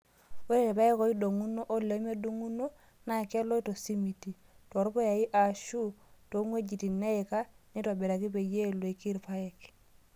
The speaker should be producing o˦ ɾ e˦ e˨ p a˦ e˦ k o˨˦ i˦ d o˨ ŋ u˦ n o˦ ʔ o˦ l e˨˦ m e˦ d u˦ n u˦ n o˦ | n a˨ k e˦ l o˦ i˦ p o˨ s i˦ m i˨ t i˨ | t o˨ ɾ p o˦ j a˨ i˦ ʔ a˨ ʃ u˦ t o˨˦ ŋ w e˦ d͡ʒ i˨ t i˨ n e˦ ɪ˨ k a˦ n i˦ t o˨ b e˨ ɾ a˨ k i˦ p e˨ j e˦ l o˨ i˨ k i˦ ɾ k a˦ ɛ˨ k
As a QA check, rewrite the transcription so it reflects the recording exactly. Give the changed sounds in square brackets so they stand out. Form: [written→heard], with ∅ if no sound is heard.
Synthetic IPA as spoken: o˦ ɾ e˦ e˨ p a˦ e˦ k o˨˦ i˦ d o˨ ŋ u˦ n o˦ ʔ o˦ l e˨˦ m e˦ d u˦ [n→ŋ] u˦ n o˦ | n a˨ k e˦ l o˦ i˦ [p→t] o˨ s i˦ m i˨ t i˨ | t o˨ ɾ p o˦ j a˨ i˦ ʔ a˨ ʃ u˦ t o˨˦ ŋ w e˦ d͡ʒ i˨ t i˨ n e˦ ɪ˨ k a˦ n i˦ t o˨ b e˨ ɾ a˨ k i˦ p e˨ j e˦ l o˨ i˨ k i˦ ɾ [k→p] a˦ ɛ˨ k